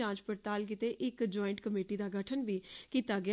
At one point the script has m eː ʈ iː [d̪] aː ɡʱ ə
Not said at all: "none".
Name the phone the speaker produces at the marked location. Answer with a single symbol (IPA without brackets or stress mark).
d̪